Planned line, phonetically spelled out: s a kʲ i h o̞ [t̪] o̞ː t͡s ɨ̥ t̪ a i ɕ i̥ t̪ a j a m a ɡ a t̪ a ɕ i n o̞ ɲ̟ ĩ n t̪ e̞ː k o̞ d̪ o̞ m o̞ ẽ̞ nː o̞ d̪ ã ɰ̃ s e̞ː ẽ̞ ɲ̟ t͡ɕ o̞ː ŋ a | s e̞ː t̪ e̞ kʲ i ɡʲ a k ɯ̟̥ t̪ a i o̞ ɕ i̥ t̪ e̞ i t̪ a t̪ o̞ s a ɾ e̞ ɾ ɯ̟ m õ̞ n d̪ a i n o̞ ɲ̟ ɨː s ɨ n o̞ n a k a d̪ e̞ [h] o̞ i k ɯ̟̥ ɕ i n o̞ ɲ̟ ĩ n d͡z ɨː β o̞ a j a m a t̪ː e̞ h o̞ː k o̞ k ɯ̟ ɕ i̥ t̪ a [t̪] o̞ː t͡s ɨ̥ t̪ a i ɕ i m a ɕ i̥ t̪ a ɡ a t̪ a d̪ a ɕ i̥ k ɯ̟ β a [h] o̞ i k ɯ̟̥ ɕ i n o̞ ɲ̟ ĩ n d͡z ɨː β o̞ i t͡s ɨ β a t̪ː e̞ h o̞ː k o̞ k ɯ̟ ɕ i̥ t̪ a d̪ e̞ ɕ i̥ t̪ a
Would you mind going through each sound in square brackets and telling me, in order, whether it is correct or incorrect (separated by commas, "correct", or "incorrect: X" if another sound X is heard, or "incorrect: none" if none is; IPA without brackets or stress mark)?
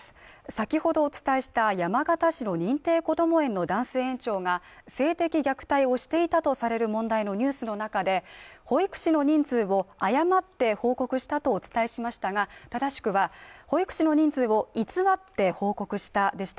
incorrect: d̪, correct, correct, correct